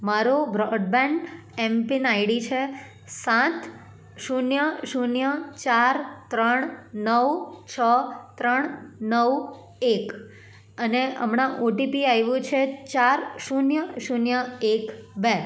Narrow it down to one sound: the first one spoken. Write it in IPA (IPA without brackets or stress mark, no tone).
m